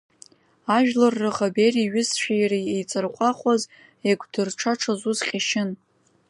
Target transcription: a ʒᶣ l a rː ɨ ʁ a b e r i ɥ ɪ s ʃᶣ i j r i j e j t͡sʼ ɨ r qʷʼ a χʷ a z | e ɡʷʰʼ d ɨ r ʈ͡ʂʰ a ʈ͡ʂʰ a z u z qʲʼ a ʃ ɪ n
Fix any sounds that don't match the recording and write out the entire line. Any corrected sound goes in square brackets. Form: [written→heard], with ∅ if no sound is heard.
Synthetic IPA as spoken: a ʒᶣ l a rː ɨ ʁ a b e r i ɥ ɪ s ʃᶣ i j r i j e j t͡sʼ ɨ r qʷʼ a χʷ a z | e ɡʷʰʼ d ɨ r ʈ͡ʂʰ a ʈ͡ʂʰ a z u z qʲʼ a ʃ ɪ n